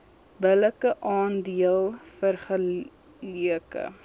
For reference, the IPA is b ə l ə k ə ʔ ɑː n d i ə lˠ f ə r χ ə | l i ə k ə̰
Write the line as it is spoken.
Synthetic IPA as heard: b ə l ə k ə ʔ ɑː n d i ə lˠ f ə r χ ə | l i ə k ə̰

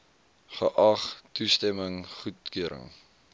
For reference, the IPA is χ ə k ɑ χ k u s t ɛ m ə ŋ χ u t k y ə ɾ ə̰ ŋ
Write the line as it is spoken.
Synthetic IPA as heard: χ ə ʔ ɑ χ t u s t ɛ m ə ŋ χ u t k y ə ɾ ə̰ ŋ

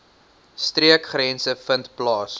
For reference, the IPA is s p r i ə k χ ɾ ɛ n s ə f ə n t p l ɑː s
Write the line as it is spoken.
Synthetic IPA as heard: s t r i ə k χ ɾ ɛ n s ə f ə n t p l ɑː s

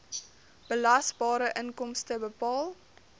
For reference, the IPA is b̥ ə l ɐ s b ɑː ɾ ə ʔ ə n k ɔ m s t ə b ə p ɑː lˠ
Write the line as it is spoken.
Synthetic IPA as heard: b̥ ə l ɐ s b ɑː ɾ ə ʔ ə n k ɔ m s t ə b ə p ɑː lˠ

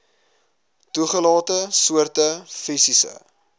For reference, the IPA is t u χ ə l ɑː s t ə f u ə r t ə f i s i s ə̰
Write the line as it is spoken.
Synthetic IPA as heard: t u χ ə l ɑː t ə s u ə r t ə f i s i s ə̰

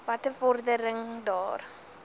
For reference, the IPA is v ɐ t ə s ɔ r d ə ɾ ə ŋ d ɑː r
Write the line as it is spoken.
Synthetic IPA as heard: v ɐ t ə f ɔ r d ə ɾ ə ŋ d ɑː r

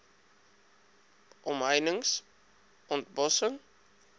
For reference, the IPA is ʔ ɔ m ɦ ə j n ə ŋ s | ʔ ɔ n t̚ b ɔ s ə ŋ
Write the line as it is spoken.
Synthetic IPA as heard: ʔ ɔ m ɦ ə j n ə ŋ s | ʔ ɔ n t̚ b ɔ s ə ŋ

